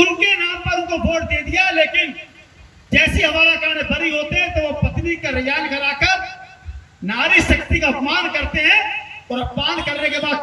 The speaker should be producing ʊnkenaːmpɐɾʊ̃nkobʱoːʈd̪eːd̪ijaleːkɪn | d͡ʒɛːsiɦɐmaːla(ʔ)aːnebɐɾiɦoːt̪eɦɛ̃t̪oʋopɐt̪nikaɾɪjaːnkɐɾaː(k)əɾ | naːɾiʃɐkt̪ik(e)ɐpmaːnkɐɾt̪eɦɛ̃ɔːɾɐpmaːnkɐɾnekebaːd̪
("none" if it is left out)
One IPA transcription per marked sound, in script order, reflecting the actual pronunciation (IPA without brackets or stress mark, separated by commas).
k, k, a